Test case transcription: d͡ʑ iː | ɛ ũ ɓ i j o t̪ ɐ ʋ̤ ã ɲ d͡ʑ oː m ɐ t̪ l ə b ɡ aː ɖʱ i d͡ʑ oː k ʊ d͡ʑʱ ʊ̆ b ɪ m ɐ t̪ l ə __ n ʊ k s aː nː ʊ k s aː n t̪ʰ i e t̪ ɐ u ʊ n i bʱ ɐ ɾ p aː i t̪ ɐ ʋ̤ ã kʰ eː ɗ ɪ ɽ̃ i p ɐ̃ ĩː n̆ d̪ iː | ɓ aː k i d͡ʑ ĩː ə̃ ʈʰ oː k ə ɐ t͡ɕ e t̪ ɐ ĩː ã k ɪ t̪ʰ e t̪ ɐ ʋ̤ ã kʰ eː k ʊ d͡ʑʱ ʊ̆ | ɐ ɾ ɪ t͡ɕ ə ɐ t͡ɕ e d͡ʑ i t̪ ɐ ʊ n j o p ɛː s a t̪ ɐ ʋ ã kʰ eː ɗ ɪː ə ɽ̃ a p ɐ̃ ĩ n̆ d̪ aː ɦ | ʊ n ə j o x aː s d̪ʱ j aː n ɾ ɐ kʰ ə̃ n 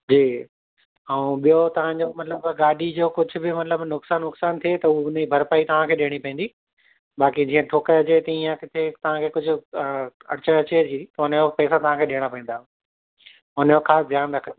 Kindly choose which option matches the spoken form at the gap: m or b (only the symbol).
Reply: b